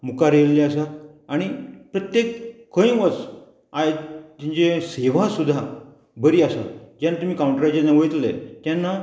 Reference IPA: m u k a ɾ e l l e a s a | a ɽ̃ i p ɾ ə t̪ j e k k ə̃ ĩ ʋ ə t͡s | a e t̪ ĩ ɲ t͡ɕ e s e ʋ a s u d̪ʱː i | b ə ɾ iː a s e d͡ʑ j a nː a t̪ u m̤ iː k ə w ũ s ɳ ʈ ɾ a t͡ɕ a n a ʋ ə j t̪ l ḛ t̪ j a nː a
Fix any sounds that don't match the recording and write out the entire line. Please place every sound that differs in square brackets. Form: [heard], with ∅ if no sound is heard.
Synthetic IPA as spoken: m u k a ɾ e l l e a s a | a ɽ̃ i p ɾ ə t̪ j e k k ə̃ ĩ ʋ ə t͡s | a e t̪ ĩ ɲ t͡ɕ e s e ʋ a s u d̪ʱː [a] | b ə ɾ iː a s [a] d͡ʑ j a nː a t̪ u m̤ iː k [a] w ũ [∅] ɳ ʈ ɾ a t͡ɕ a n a ʋ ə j t̪ l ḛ t̪ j a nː a